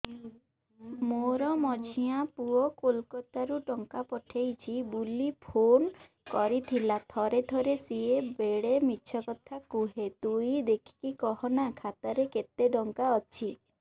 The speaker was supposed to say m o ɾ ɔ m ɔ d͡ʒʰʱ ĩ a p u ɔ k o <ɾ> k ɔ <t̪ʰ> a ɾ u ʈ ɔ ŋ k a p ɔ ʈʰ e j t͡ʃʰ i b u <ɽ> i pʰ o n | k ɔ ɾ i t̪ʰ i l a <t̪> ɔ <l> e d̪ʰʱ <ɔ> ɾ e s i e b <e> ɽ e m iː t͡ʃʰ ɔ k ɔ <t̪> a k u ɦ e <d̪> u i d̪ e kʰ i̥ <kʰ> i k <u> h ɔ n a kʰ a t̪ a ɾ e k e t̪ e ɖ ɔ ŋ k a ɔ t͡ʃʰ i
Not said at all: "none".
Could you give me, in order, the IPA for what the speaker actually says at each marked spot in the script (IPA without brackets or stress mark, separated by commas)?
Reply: l, t̪, l, t̪ʰ, ɾ, ɔ, e, t̪ʰ, t̪, k, ɔ